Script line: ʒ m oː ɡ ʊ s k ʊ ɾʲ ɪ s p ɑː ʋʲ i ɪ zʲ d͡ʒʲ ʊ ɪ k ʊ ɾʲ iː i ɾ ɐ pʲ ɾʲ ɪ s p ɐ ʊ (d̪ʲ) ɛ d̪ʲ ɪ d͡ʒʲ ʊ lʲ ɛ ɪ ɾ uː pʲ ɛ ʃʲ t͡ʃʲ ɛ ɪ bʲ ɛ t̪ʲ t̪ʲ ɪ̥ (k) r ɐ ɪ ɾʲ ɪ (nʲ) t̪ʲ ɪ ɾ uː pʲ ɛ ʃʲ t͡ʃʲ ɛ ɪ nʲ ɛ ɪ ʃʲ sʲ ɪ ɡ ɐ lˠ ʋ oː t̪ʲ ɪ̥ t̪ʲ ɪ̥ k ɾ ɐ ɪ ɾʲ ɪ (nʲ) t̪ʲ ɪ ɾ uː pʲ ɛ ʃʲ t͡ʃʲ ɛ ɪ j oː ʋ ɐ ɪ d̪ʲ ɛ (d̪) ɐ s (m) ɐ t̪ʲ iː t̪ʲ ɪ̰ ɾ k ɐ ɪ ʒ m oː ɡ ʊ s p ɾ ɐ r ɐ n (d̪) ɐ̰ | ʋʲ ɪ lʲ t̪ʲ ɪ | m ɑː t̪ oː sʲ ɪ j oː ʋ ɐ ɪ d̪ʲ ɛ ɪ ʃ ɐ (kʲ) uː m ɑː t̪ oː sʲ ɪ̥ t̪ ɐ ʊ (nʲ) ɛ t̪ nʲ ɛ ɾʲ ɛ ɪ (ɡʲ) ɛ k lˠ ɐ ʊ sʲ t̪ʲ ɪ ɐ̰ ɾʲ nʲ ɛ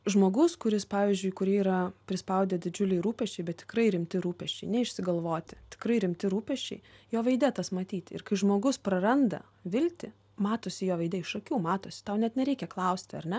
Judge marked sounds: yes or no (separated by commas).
yes, yes, no, no, no, yes, yes, yes, yes, no